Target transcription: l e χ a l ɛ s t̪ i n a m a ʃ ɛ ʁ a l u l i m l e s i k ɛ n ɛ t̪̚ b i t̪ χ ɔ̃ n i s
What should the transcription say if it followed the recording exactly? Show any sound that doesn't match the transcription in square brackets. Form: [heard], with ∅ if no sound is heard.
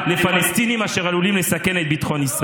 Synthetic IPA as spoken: l e [f] a l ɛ s t̪ i n [i] m a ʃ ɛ ʁ a l u l i m l e s [a] k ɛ n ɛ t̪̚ b i t̪ χ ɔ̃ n i s